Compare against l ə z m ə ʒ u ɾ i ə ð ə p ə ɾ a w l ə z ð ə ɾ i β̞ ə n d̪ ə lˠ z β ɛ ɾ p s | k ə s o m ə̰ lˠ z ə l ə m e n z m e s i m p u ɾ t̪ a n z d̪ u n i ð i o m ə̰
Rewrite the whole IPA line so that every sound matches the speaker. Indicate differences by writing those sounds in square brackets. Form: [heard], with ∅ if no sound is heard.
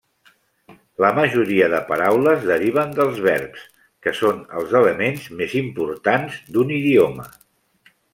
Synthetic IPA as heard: l ə [∅] m ə ʒ u ɾ i ə ð ə p ə ɾ a w l ə z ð ə ɾ i β̞ ə n d̪ ə lˠ z β ɛ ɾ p s | k ə s o [n] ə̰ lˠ z ə l ə m e n z m e [z] i m p u ɾ t̪ a n z d̪ u n i ð i o m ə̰

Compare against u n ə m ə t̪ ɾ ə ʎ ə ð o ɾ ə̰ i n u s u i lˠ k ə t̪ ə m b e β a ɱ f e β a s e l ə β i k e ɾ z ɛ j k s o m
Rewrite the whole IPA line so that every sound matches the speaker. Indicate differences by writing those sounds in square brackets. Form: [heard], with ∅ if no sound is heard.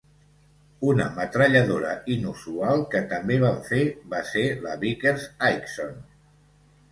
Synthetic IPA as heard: u n ə m ə t̪ ɾ ə ʎ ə ð o ɾ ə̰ i n u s u [a] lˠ k ə t̪ ə m b e β a ɱ f e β a s e l ə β i k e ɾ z [a] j k s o [n]

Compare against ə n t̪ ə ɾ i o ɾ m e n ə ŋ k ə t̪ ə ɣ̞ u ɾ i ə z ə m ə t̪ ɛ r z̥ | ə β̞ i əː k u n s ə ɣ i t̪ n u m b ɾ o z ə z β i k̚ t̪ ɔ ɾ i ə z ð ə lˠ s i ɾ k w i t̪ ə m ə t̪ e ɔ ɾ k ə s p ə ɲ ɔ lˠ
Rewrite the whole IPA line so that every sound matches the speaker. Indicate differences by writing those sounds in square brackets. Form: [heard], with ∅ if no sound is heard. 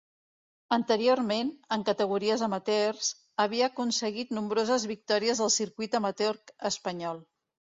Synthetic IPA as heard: ə n t̪ ə ɾ i o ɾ m e n ə ŋ k ə t̪ ə ɣ̞ u ɾ i ə z ə m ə t̪ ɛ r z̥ | ə β̞ i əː k u n s ə ɣ i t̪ n u m b ɾ o z ə z β i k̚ t̪ ɔ ɾ i ə z ð ə lˠ s i ɾ k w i t̪ ə m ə t̪ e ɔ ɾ k ə s p ə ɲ ɔ lˠ

